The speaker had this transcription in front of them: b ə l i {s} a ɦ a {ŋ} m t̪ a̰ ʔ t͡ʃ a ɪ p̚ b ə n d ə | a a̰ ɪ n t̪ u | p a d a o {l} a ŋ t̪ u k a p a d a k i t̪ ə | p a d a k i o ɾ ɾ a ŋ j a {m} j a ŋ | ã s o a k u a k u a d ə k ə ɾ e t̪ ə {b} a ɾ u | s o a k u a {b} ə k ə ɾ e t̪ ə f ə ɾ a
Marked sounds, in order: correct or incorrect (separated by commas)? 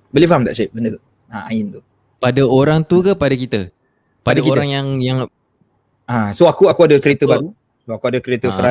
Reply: incorrect, incorrect, incorrect, incorrect, correct, incorrect